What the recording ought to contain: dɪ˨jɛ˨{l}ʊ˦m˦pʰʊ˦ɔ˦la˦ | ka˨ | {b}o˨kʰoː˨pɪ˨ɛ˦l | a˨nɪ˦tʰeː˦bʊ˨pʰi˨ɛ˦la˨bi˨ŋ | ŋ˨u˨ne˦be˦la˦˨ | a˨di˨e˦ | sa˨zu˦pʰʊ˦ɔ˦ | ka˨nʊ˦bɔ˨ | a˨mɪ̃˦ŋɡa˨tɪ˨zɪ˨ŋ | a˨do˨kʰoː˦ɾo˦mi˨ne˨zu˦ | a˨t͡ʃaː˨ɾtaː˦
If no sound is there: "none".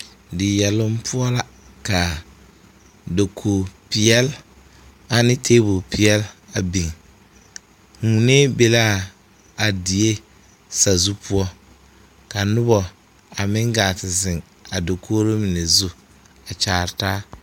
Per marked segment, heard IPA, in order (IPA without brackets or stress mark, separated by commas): l, d